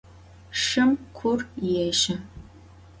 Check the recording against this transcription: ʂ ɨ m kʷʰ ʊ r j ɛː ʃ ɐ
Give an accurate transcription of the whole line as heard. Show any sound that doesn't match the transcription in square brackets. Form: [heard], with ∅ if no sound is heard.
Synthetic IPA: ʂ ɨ m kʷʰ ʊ r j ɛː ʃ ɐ